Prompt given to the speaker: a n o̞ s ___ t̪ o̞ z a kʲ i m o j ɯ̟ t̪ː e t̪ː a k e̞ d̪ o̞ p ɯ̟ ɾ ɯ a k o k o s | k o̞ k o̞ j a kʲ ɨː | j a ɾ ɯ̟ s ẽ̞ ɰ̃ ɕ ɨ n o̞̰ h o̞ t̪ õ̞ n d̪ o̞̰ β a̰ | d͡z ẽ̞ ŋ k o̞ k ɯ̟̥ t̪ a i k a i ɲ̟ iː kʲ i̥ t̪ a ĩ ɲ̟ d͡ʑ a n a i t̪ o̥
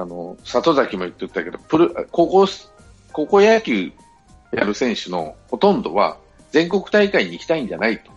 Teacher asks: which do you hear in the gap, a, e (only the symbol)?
a